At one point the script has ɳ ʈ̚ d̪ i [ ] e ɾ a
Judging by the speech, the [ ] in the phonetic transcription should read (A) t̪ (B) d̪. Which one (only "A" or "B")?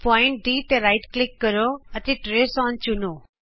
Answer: A